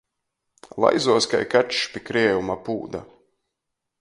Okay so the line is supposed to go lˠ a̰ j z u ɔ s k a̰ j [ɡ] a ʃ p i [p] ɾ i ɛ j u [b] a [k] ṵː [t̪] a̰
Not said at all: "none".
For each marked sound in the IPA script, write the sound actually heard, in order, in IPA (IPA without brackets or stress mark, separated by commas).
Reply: k, k, m, p, d̪